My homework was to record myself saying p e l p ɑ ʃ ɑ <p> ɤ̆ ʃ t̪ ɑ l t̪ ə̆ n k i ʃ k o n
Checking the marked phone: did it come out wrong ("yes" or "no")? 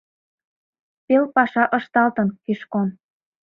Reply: yes